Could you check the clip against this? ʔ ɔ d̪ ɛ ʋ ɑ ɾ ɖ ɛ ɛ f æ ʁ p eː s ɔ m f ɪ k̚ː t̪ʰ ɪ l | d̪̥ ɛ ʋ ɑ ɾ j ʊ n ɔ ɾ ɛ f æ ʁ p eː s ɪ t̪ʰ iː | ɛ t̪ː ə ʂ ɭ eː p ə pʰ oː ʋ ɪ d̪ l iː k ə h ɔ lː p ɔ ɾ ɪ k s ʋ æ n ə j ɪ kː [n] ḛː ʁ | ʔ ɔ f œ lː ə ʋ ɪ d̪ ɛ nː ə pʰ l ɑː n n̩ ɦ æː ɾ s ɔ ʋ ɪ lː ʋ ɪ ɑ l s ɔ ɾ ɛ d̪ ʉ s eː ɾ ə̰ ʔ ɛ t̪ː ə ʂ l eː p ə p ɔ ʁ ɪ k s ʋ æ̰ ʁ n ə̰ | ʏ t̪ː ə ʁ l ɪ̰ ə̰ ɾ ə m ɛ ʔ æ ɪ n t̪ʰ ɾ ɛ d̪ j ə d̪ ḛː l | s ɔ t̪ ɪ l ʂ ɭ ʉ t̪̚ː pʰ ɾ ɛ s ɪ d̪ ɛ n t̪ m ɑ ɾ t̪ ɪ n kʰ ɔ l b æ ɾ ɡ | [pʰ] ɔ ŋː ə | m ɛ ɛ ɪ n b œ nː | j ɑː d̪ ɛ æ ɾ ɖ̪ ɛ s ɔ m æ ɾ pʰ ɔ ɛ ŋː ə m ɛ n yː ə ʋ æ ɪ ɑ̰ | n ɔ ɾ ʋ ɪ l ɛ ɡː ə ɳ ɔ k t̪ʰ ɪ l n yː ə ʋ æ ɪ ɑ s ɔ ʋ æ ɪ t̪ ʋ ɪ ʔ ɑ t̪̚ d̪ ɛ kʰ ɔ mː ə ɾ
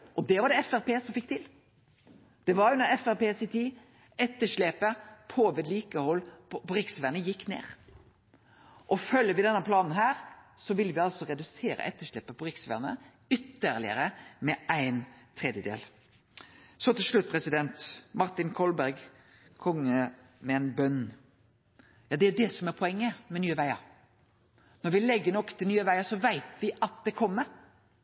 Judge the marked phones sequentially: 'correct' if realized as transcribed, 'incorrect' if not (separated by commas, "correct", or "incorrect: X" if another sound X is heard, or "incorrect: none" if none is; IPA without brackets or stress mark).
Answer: correct, incorrect: kʰ